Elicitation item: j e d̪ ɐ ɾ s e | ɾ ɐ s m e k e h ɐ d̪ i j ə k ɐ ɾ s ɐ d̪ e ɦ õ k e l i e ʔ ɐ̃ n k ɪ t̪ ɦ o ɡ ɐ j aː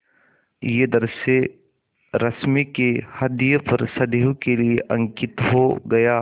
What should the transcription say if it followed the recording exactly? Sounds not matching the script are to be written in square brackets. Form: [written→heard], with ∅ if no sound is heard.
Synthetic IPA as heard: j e d̪ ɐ ɾ s e | ɾ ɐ s m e k e h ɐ d̪ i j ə [k→p] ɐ ɾ s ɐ d̪ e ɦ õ k e l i e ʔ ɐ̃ [n→ŋ] k ɪ t̪ ɦ o ɡ ɐ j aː